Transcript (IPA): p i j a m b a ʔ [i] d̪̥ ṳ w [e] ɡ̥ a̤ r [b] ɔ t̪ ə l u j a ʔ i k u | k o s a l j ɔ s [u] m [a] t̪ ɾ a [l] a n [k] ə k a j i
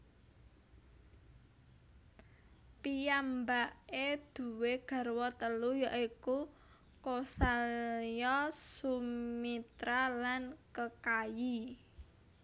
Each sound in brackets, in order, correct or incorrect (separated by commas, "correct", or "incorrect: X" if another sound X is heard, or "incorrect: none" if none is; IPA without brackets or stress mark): incorrect: e, correct, incorrect: w, correct, incorrect: i, correct, correct